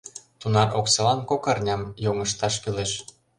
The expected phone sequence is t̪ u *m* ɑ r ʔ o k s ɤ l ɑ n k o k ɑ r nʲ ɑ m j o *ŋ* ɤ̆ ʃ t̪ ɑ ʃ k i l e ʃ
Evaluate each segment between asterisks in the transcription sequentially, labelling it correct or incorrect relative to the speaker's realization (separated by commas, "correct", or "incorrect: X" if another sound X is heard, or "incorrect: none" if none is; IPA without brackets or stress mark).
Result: incorrect: n, correct